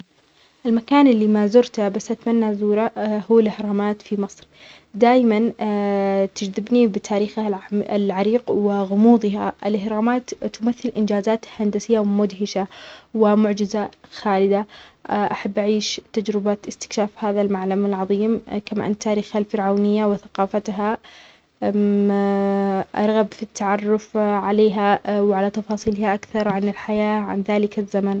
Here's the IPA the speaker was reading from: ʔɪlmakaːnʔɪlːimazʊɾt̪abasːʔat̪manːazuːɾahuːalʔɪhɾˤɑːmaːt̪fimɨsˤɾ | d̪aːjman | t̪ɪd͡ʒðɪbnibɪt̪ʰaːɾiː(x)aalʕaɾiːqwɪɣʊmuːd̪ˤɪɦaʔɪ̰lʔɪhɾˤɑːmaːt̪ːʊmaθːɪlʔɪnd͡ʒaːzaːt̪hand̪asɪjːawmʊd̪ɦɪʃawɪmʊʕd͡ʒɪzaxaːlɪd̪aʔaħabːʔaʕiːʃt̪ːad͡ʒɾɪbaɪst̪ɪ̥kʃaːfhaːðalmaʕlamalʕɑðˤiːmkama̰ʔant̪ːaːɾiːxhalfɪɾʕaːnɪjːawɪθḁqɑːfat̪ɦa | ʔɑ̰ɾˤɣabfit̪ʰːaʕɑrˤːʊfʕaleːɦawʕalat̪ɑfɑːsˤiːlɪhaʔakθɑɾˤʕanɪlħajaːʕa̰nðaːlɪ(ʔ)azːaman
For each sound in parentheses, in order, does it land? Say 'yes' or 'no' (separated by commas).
yes, no